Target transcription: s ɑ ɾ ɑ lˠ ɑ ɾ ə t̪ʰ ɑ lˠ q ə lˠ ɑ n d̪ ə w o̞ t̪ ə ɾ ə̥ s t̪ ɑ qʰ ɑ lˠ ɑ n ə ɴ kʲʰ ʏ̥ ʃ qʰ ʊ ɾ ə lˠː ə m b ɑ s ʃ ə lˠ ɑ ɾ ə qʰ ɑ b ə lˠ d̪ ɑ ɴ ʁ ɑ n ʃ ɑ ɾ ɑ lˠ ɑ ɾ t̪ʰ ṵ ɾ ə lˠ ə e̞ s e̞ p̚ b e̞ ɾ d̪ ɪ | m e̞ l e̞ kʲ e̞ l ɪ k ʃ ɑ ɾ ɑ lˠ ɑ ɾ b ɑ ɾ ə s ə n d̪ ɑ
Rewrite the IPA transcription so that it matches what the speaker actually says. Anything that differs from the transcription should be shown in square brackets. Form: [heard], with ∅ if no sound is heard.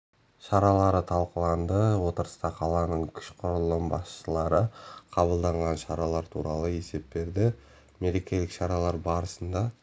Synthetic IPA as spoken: [ʃ] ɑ ɾ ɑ lˠ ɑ ɾ ə t̪ʰ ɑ lˠ q ə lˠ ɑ n d̪ ə w o̞ t̪ ə ɾ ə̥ s t̪ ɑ qʰ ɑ lˠ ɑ n ə ɴ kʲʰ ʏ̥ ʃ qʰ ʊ ɾ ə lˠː ə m b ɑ s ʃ ə lˠ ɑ ɾ ə qʰ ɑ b ə lˠ d̪ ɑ ɴ ʁ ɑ n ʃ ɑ ɾ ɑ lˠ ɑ ɾ t̪ʰ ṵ ɾ [ɑ] lˠ ə e̞ s e̞ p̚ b e̞ ɾ d̪ ɪ | m e̞ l e̞ kʲ e̞ l ɪ k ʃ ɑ ɾ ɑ lˠ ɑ ɾ b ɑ ɾ ə s ə n d̪ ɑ